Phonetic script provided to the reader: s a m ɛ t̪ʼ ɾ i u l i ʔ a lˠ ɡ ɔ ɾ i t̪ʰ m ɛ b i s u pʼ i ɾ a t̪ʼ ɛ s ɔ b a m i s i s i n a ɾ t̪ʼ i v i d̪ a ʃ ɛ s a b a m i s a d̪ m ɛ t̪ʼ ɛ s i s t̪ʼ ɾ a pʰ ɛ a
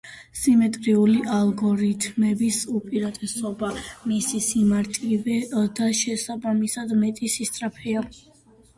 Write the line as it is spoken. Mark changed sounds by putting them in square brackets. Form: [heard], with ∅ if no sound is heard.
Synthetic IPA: s [i] m ɛ t̪ʼ ɾ i u l i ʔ a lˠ ɡ ɔ ɾ i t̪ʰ m ɛ b i s u pʼ i ɾ a t̪ʼ ɛ s ɔ b a m i s i s i [m] a ɾ t̪ʼ i v [ɛ] d̪ a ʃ ɛ s a b a m i s a d̪ m ɛ t̪ʼ [i] s i s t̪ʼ ɾ a pʰ ɛ a